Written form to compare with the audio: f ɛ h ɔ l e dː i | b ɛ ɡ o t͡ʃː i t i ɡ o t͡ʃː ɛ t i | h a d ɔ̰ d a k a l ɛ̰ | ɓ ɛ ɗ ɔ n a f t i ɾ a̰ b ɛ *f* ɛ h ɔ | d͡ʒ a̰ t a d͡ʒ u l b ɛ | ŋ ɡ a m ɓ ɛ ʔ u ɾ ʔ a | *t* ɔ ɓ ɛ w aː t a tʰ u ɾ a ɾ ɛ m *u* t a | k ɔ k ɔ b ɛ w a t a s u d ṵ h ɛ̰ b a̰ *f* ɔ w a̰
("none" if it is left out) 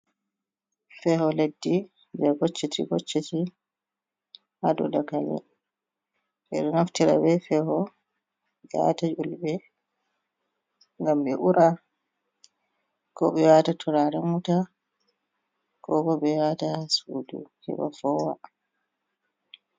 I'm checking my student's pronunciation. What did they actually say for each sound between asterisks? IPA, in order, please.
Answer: f, k, u, f

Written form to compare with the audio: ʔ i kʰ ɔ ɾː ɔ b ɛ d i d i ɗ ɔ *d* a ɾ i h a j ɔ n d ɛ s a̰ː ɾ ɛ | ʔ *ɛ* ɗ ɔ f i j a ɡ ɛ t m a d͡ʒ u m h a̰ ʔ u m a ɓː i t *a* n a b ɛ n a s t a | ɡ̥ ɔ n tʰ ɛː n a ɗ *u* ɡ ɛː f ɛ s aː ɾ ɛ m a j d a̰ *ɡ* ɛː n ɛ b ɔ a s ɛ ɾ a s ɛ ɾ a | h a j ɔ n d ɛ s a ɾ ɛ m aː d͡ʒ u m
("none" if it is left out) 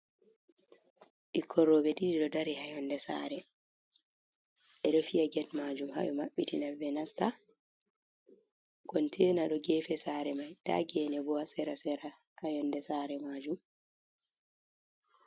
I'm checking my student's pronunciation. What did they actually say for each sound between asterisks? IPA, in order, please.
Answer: d, ɛ, i, ɔ, ɡ

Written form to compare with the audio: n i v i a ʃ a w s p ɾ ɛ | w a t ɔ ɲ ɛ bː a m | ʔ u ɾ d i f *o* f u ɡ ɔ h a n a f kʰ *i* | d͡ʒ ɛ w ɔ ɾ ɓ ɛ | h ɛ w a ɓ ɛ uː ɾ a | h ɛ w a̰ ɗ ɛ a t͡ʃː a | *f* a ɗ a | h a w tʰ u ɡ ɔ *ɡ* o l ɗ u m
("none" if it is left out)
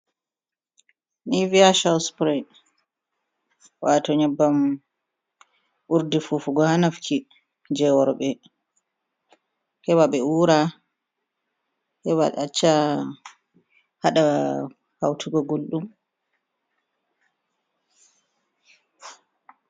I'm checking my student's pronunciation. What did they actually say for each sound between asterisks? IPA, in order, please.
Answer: u, i, h, ɡ

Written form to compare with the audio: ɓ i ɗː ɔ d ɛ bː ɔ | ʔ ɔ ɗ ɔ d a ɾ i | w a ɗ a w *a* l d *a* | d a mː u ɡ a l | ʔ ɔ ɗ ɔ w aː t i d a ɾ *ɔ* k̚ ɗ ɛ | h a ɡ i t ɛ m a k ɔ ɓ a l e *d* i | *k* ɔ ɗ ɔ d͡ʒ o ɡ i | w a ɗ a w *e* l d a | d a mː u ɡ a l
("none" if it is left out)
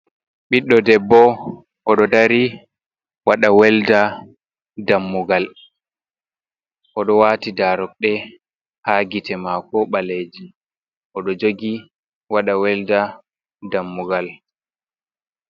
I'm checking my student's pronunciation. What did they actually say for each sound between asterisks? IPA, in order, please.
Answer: ɛ, a, ɔ, d͡ʒ, ʔ, ɛ

